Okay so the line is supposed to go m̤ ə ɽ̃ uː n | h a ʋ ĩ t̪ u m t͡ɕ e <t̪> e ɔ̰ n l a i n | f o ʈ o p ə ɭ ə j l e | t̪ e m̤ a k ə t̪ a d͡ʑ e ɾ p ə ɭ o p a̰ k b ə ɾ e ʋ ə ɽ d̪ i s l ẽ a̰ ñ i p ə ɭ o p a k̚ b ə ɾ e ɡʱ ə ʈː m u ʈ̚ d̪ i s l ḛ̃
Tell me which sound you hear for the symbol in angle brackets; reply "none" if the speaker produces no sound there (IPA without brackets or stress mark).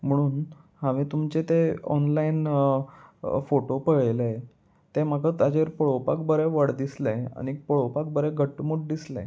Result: t̪